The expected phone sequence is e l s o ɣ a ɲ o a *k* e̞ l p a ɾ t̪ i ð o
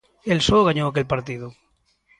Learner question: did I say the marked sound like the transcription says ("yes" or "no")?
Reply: yes